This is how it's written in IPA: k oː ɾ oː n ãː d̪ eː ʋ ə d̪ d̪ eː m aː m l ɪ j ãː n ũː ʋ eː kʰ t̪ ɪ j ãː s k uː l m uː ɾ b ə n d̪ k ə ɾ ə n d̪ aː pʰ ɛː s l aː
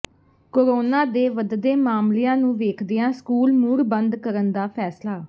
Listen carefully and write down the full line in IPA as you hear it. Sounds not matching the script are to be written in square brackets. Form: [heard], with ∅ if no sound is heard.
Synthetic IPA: k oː ɾ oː n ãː d̪ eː ʋ ə d̪ d̪ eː m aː m l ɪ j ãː n ũː ʋ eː kʰ [d̪] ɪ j ãː s k uː l m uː ɾ b ə n d̪ k ə ɾ ə n d̪ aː pʰ ɛː s l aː